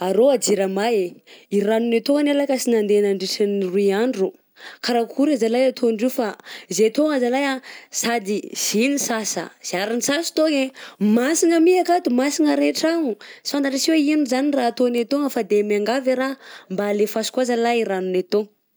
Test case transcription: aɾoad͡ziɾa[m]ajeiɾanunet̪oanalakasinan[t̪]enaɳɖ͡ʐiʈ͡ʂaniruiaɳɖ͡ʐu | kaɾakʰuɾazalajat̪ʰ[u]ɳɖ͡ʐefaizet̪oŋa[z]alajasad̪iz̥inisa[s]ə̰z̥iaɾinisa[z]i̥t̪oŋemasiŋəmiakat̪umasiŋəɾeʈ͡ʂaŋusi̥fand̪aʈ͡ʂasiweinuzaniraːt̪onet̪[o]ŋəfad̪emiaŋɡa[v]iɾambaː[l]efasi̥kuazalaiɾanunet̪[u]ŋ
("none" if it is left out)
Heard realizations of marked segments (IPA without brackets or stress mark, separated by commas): m, d̪, o, z, s, s, o, v, l, o